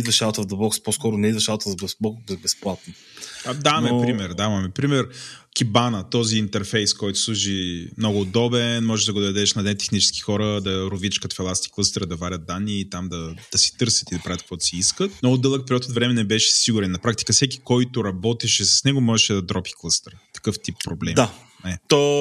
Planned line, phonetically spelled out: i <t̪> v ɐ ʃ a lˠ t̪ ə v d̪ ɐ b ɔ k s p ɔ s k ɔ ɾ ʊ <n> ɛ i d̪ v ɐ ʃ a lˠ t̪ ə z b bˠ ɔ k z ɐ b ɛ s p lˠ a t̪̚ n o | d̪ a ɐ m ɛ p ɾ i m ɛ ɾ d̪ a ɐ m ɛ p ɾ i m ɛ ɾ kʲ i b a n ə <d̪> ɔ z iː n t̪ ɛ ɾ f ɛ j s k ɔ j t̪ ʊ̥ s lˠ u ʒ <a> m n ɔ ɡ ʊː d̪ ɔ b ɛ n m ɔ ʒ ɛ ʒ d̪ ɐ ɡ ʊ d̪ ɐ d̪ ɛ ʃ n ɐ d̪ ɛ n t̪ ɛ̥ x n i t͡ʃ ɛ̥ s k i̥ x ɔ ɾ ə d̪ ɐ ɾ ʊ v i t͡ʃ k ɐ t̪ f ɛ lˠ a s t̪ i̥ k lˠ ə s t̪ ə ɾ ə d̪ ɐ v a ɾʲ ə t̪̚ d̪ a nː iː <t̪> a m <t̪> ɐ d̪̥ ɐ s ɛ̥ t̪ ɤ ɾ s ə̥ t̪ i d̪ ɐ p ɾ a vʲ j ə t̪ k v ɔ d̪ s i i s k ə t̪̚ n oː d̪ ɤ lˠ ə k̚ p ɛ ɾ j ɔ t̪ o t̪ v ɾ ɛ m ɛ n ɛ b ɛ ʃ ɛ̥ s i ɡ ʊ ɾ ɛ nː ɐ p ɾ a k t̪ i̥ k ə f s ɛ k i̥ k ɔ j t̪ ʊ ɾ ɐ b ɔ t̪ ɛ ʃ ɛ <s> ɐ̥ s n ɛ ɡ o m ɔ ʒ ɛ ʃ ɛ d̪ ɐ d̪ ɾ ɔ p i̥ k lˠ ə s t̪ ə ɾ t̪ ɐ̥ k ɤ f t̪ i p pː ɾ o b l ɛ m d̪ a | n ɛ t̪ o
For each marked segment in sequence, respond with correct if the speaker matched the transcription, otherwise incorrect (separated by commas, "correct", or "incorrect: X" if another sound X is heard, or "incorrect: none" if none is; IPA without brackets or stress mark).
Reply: incorrect: d̪, correct, incorrect: t̪, incorrect: i, correct, incorrect: d̪, correct